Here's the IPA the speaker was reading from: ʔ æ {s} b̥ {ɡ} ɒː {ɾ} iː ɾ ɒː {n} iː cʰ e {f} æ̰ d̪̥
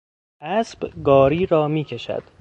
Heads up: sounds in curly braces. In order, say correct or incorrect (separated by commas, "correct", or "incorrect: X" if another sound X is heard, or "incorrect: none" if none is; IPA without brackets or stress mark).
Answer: correct, correct, correct, incorrect: m, incorrect: ʃ